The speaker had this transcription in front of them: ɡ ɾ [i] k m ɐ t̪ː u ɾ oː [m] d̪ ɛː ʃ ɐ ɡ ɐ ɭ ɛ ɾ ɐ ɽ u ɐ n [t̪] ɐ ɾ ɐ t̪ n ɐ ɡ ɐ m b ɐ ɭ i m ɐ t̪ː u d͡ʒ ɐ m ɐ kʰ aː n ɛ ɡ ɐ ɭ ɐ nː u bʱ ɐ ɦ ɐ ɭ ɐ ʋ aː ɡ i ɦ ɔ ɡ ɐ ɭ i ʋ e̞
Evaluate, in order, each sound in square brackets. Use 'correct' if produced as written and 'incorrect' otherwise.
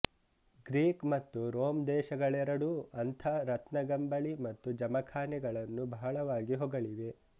incorrect: iː, correct, incorrect: t̪ʰ

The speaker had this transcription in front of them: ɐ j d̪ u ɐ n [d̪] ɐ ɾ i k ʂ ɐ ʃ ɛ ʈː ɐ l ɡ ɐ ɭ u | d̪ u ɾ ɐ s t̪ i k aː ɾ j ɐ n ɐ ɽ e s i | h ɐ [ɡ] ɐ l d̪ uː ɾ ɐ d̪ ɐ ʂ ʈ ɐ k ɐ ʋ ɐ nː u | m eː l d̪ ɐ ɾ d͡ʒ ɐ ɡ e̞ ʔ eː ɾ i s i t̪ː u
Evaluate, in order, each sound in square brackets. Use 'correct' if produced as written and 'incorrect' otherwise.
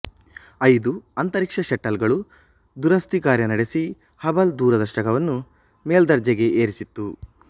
incorrect: t̪, incorrect: b

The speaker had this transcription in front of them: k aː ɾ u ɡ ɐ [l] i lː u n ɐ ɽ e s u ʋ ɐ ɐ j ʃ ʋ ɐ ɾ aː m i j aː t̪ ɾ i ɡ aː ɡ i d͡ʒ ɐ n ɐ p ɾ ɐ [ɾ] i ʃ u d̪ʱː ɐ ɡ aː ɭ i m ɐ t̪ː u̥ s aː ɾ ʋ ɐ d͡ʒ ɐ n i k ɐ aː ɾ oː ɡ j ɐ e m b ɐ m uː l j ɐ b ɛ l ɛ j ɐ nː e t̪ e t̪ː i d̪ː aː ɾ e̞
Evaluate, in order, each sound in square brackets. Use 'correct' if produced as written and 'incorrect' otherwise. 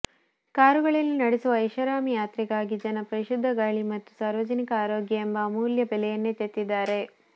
incorrect: ɭ, correct

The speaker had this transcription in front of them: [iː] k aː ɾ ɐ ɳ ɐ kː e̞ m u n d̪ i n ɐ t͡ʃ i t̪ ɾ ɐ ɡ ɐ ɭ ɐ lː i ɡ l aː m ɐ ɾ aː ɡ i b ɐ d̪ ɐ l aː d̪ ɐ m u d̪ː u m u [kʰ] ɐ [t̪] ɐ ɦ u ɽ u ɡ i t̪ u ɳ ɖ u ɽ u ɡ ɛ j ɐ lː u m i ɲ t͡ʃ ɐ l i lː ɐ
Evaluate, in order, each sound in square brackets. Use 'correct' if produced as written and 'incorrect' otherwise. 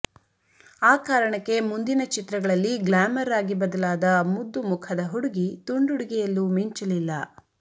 incorrect: aː, correct, incorrect: d̪

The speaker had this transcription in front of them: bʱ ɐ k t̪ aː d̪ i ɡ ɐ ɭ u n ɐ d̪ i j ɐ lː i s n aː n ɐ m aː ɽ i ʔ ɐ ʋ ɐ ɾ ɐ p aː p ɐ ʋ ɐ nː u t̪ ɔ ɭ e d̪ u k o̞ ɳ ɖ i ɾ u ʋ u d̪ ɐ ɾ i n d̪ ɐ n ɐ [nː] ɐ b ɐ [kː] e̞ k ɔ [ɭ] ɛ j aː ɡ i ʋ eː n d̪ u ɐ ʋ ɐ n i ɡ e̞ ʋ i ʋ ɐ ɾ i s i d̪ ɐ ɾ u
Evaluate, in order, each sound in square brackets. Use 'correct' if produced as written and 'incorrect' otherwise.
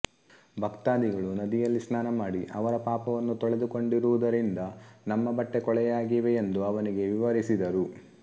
incorrect: mː, incorrect: ʈː, correct

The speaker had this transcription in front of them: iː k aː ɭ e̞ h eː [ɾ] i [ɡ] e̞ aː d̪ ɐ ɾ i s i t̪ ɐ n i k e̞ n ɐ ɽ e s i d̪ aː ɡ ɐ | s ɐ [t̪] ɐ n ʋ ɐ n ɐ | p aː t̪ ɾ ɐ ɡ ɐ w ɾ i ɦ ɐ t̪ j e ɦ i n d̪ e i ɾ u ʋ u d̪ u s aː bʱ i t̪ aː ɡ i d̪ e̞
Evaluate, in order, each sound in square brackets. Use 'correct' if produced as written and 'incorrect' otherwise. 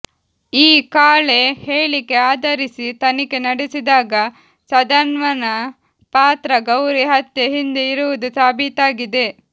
incorrect: ɭ, incorrect: k, incorrect: d̪

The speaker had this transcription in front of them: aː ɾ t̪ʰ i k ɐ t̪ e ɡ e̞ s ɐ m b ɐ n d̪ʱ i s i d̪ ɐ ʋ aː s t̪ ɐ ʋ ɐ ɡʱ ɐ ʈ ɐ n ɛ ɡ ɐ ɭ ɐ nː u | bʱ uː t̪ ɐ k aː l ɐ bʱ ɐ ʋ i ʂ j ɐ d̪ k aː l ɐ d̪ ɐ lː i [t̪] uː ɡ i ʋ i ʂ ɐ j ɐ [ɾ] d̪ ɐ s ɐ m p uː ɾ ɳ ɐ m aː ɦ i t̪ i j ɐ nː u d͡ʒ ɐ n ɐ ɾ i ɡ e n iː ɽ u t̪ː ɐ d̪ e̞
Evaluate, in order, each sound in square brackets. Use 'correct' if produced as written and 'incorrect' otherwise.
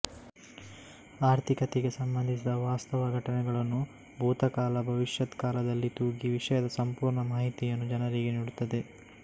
correct, incorrect: none

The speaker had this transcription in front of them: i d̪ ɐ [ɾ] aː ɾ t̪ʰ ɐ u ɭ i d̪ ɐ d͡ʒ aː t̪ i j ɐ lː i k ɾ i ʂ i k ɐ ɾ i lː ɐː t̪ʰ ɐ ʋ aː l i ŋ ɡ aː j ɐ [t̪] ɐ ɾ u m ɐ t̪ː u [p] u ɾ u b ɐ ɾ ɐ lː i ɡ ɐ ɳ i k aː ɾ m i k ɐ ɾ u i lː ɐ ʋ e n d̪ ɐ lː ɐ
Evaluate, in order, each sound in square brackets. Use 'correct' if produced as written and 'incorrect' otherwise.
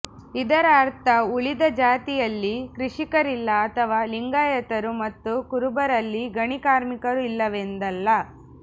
correct, correct, incorrect: k

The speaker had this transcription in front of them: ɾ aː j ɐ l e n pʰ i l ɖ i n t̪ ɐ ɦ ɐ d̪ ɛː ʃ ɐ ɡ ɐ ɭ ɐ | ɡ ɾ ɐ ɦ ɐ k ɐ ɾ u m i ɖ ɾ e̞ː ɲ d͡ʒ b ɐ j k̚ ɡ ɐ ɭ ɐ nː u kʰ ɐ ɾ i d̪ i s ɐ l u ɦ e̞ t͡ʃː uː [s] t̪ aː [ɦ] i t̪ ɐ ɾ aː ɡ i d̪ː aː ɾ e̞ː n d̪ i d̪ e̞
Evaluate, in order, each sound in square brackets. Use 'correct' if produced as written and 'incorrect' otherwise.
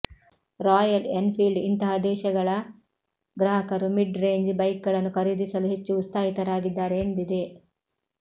correct, correct

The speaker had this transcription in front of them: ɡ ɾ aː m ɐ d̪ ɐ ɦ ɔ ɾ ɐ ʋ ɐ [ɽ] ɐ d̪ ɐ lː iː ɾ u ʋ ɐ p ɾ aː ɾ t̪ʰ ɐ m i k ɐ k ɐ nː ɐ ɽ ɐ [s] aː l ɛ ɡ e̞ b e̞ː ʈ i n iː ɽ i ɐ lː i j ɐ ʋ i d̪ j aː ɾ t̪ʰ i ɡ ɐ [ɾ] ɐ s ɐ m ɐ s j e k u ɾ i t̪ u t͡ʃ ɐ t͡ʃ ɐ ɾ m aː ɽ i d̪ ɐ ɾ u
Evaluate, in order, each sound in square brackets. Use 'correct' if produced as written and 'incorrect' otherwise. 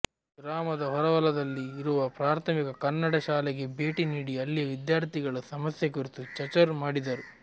incorrect: l, incorrect: ʃ, incorrect: ɭ

